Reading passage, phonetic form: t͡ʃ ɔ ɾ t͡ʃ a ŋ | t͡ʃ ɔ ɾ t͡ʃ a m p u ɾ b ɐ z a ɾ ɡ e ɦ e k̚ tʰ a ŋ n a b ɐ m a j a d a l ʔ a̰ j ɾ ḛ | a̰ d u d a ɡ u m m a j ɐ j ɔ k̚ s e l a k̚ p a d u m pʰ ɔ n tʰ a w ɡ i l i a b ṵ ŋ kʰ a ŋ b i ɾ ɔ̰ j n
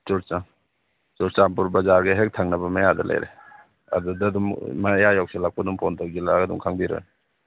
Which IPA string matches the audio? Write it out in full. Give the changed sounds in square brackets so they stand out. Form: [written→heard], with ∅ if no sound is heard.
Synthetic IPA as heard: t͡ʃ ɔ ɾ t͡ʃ a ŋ | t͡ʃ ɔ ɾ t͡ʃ a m p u ɾ b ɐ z a ɾ ɡ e ɦ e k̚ tʰ a ŋ n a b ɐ m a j a d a l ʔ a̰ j ɾ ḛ | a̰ d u d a [ɡ→d] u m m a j [ɐ→a] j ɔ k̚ s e l a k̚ p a d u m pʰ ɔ n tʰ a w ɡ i l [i→a] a [b→d] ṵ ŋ kʰ a ŋ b i ɾ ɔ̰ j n